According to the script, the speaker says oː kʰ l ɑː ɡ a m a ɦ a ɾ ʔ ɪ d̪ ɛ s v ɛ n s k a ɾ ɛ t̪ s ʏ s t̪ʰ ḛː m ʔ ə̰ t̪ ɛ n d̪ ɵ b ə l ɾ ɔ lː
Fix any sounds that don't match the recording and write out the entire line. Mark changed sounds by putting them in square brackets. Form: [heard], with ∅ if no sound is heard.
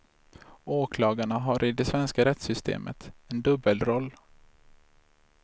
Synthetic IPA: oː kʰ l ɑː ɡ a [ɳ] a ɦ a ɾ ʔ ɪ d̪ ɛ s v ɛ n s k a ɾ ɛ t̪ s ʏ s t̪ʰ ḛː m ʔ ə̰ t̪ ɛ n d̪ ɵ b ə l ɾ ɔ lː